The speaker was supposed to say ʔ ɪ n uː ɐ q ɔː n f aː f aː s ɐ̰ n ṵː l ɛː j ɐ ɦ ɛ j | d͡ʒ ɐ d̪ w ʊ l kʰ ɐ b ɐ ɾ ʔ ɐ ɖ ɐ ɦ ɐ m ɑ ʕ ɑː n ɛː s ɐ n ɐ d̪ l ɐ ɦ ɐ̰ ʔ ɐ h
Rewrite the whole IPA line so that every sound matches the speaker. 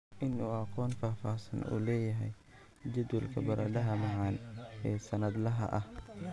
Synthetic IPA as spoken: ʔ ɪ n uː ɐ q ɔː n f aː f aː s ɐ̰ n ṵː l ɛː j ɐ ɦ ɛ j | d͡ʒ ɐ d̪ w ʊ l kʰ ɐ b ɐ ɾ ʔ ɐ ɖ ɐ ɦ ɐ m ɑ ʕ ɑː n ɛː s ɐ n ɐ d̪ l ɐ ɦ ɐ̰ ʔ ɐ h